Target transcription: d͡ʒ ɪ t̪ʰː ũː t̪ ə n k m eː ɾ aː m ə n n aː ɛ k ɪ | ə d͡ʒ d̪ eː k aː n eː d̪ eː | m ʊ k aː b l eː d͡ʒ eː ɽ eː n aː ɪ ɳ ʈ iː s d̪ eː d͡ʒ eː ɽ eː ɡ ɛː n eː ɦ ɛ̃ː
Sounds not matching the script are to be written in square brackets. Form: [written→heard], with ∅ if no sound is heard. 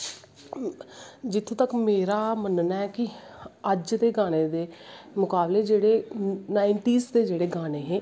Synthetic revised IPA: d͡ʒ ɪ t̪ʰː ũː t̪ ə [n→∅] k m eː ɾ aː m ə n n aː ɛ k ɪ | ə d͡ʒ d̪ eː [k→ɡ] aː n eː d̪ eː | m ʊ k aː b l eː d͡ʒ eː ɽ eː n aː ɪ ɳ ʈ iː s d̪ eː d͡ʒ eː ɽ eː ɡ [ɛː→aː] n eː ɦ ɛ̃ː